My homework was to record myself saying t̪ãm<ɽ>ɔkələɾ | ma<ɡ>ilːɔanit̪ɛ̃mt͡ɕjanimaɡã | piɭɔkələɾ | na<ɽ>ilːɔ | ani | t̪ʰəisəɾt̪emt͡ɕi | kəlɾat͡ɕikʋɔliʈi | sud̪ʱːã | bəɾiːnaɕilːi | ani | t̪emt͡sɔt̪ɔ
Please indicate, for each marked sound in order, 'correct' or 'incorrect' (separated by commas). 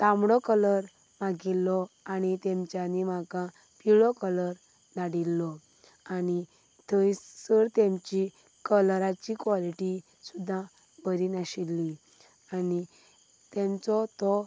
correct, correct, correct